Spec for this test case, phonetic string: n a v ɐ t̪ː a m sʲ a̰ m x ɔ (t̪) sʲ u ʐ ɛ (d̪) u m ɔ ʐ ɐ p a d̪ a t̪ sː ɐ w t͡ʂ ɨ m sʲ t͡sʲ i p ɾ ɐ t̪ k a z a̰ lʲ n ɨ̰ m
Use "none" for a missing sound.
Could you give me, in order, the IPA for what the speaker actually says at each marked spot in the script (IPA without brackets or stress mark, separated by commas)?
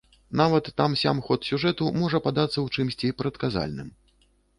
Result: t̪, t̪